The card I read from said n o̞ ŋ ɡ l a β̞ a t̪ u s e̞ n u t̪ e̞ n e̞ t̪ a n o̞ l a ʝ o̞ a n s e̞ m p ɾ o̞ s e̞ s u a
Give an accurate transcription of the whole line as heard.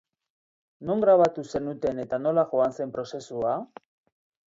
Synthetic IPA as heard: n o̞ ŋ ɡ ɾ a β̞ a t̪ u s e̞ n u t̪ e̞ n e̞ t̪ a n o̞ l a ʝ o̞ a n s e̞ m p ɾ o̞ s e̞ s u a